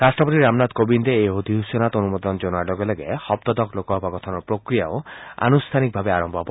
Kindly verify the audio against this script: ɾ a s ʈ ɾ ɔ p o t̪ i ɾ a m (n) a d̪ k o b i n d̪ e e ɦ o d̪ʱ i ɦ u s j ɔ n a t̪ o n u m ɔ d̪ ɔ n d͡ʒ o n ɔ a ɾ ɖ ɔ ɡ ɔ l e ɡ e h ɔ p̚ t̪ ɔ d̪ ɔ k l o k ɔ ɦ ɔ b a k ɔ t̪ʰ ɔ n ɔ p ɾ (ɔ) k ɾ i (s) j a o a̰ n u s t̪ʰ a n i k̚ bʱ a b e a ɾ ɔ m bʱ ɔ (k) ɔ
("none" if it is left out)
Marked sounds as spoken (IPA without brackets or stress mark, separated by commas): n, o, none, p